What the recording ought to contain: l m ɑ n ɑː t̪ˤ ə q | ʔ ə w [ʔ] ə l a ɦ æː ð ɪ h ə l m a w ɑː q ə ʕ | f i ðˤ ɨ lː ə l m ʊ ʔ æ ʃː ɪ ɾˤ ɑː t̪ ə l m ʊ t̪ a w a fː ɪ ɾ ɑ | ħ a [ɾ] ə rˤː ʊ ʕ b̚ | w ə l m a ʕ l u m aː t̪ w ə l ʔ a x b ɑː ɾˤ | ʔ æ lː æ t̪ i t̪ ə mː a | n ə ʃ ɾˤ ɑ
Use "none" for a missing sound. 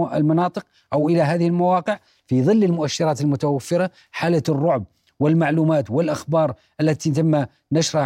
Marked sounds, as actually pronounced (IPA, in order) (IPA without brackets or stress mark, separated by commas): ʔ, l